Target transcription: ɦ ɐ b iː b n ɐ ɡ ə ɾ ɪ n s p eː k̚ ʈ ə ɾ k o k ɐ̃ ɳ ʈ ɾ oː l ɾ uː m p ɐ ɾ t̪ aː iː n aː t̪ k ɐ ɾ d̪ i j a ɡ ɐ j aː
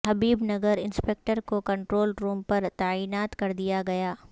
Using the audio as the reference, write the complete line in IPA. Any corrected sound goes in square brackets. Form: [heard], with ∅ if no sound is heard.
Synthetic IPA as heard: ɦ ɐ b iː b n ɐ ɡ ə ɾ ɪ n s p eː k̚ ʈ ə ɾ k o k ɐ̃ ɳ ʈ ɾ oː l ɾ uː m p ɐ ɾ t̪ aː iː n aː t̪ k ɐ ɾ d̪ i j a ɡ ɐ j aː